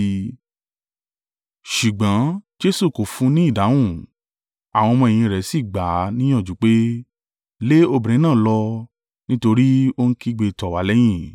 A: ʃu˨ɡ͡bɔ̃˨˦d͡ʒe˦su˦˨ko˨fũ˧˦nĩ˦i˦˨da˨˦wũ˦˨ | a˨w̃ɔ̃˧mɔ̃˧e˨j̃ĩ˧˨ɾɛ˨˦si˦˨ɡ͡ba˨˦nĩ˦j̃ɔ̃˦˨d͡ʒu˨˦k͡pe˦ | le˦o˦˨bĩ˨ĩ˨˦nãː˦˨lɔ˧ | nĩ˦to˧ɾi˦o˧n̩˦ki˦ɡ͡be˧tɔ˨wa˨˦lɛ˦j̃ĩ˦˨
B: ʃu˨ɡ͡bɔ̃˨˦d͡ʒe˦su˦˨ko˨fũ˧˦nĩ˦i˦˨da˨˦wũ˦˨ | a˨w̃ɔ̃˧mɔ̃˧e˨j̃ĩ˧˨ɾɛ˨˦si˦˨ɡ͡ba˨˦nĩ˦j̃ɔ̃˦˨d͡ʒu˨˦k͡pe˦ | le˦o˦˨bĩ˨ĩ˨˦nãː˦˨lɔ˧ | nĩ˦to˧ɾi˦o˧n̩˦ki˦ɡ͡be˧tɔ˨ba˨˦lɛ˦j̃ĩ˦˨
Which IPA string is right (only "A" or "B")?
A